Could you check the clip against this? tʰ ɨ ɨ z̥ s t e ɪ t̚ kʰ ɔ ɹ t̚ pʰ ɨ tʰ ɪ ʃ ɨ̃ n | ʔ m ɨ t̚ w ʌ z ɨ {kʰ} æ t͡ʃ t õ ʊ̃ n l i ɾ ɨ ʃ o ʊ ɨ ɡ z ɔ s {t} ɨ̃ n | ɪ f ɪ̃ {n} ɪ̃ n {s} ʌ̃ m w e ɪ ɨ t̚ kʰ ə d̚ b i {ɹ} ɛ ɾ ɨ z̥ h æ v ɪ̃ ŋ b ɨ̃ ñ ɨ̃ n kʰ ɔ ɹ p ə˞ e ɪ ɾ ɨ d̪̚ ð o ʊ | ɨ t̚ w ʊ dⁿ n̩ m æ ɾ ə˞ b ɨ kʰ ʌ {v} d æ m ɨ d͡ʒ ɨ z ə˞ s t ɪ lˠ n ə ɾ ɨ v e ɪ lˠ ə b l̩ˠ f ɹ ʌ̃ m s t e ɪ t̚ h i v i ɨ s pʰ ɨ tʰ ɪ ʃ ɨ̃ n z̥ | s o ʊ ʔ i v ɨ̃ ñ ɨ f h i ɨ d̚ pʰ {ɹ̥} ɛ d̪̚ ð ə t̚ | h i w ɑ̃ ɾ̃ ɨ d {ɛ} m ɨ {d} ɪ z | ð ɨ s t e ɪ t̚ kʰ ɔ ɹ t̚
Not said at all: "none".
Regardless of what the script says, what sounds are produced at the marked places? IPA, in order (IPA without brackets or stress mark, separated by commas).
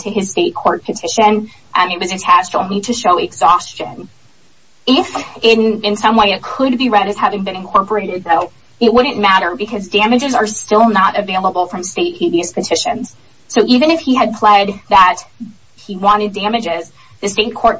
tʰ, t͡ʃ, n, s, ɹ, z, l̥, æ, d͡ʒ